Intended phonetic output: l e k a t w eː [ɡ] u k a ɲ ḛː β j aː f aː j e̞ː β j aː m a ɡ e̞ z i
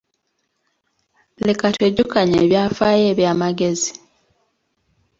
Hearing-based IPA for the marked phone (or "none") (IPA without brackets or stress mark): ɟ